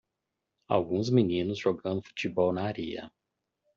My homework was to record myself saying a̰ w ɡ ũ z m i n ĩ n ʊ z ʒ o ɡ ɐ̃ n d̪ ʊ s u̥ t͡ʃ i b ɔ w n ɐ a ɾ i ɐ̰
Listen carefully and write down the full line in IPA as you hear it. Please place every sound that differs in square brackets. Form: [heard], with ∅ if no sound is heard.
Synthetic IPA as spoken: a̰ w ɡ ũ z m i n ĩ n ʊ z ʒ o ɡ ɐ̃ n d̪ ʊ [f] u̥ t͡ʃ i b ɔ w n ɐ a ɾ i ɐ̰